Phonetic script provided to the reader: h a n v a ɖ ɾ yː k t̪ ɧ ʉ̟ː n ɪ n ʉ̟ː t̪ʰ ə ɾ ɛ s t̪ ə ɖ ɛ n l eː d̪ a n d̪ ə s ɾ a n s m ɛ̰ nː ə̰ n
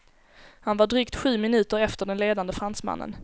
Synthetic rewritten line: h a n v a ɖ ɾ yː k t̪ ɧ ʉ̟ː m ɪ n ʉ̟ː t̪ ə ɾ ɛ f t̪ ə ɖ ɛ n l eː d̪ a n d̪ ə f ɾ a n s m a̰ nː ə̰ n